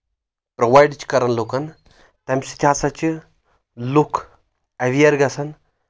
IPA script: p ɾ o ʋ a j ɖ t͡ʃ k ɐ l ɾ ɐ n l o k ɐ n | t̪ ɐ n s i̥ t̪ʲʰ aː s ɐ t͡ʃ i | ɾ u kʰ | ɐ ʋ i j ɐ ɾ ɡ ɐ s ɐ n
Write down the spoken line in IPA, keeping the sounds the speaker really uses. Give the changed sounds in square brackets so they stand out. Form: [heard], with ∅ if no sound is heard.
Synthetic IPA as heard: p ɾ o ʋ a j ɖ t͡ʃ k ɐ [∅] ɾ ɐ n l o k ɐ n | t̪ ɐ [m] s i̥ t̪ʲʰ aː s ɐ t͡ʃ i | [l] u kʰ | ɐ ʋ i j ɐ ɾ ɡ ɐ s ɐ n

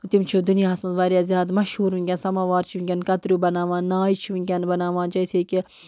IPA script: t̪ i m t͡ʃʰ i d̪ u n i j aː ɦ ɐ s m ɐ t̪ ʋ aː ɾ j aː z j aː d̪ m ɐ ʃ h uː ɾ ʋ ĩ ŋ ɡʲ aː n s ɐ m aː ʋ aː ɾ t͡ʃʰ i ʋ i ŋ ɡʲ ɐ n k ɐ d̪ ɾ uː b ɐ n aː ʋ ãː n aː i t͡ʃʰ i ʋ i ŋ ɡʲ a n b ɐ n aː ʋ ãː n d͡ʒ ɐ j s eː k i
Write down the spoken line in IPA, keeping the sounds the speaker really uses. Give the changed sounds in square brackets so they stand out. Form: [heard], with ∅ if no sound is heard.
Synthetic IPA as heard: t̪ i m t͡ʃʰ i d̪ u n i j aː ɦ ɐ s m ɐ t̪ ʋ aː ɾ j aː z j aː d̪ m ɐ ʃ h uː ɾ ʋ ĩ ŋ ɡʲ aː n s ɐ m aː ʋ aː ɾ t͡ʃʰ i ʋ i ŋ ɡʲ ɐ n k ɐ [t̪] ɾ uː b ɐ n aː ʋ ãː n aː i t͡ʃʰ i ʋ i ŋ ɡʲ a n b ɐ n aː ʋ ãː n d͡ʒ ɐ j s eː k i

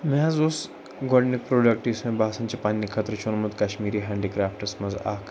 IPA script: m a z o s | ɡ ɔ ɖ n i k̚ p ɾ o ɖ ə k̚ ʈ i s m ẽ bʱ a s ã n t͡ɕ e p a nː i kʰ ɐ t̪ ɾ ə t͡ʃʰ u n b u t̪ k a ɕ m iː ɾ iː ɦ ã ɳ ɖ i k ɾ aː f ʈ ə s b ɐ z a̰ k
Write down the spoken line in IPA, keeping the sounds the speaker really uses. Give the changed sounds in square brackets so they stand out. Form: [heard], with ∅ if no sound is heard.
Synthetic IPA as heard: m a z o s | ɡ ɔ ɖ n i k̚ p ɾ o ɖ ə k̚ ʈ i s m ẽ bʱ a s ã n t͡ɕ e p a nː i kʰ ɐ t̪ ɾ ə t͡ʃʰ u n [m] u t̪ k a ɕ m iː ɾ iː ɦ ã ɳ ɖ i k ɾ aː f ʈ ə s [m] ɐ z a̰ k

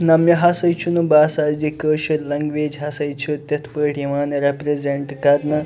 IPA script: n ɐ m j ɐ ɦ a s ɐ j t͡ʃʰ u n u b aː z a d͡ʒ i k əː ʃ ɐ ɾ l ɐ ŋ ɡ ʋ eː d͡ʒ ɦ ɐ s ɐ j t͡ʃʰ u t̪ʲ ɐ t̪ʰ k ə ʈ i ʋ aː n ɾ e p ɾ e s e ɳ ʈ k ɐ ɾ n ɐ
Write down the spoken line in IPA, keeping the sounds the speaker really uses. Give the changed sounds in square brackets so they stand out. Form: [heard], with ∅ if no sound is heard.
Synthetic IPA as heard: n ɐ m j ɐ ɦ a s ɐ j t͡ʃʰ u n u b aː [s] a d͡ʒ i k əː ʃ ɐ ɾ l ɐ ŋ ɡ ʋ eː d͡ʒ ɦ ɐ s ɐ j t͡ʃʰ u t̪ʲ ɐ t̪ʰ [p] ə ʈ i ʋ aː n ɾ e p ɾ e [z] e ɳ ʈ k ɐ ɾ n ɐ

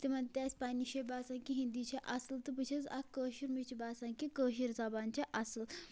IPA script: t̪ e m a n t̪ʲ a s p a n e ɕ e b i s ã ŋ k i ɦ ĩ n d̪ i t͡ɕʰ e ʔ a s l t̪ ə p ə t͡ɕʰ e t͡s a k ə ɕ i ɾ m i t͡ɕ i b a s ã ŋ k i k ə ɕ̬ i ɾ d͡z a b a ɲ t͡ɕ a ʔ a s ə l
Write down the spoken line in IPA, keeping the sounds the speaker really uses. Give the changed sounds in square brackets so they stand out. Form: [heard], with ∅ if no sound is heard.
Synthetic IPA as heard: t̪ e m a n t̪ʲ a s p a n [i] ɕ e b [a] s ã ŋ k i ɦ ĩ n d̪ i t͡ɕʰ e ʔ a s l t̪ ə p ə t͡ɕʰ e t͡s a k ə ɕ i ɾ m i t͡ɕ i b a s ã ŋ k i k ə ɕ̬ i ɾ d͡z a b a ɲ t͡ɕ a ʔ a s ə l

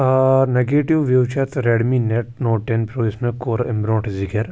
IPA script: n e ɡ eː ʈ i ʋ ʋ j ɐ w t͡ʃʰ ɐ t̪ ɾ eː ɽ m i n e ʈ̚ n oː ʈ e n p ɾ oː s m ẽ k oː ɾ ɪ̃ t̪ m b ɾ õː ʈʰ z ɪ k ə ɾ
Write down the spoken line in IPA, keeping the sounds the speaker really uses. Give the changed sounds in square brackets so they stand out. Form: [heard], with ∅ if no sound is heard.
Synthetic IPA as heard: n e ɡ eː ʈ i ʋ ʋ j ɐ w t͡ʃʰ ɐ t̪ ɾ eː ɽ m i n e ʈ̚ n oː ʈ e n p ɾ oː s m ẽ k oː ɾ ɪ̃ [∅] m b ɾ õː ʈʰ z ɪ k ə ɾ

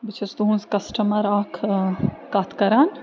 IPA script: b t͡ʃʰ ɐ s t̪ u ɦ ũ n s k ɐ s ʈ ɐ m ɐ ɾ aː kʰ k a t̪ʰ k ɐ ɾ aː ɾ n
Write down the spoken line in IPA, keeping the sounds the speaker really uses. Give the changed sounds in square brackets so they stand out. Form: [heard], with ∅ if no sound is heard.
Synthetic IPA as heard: b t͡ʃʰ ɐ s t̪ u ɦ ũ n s k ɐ s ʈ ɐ m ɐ ɾ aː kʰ k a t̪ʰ k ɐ ɾ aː [∅] n

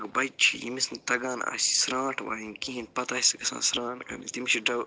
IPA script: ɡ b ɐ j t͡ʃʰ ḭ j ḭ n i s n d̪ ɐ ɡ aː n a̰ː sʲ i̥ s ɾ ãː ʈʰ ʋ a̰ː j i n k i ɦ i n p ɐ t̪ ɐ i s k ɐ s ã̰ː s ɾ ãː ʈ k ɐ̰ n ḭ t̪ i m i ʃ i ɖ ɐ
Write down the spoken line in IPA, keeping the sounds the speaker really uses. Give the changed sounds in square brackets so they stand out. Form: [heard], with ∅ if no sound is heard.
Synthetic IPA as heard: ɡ b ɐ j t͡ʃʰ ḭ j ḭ [m] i s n [t̪] ɐ ɡ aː n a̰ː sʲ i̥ s ɾ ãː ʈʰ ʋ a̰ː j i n k i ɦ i n p ɐ t̪ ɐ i s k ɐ s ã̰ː s ɾ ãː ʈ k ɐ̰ n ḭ t̪ i m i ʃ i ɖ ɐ

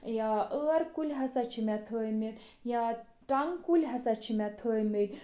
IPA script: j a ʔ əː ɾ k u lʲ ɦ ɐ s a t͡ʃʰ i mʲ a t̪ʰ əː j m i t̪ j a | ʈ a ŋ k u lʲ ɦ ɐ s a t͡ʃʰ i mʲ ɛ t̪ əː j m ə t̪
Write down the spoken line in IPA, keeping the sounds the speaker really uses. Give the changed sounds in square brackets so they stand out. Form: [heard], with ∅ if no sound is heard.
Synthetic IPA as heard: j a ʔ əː ɾ k u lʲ ɦ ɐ s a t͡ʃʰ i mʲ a t̪ʰ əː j m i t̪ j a | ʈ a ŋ k u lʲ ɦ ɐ s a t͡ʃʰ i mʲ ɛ [t̪ʰ] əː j m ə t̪

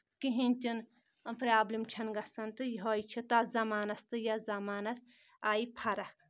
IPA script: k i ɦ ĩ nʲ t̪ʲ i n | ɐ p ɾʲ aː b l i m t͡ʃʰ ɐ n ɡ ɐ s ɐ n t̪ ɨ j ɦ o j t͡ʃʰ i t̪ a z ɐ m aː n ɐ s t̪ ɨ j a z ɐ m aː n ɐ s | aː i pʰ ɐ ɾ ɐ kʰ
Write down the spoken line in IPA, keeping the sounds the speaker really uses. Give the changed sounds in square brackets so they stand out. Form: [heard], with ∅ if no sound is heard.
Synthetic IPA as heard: k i ɦ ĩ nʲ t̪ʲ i n | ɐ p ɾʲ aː b l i m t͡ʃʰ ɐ n ɡ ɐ s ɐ n t̪ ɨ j ɦ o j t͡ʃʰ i t̪ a z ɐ m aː n ɐ s t̪ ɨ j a z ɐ m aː n ɐ s | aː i pʰ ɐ ɾ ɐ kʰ

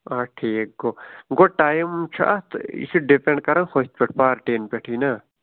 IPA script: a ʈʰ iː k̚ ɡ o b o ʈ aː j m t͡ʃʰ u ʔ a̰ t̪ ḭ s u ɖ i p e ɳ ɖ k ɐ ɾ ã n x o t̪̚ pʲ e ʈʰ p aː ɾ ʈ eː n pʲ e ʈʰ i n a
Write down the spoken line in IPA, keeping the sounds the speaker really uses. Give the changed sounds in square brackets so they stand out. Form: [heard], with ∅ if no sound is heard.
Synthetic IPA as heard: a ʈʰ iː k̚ ɡ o [ɡ] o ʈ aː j m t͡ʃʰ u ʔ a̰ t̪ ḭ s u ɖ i p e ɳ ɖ k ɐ ɾ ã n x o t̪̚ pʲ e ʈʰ p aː ɾ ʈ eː n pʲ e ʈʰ i n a

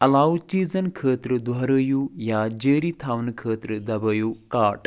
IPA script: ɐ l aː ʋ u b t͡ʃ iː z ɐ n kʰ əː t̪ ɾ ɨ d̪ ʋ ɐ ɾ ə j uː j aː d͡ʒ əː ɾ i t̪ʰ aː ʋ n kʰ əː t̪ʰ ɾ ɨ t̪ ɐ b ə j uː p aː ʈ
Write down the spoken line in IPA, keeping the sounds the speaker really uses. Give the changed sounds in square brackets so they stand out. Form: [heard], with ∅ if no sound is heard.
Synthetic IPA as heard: ɐ l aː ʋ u [∅] t͡ʃ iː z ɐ n kʰ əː t̪ ɾ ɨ d̪ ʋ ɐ ɾ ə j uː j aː d͡ʒ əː ɾ i t̪ʰ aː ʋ n kʰ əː [t̪] ɾ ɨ [d̪] ɐ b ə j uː [k] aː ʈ

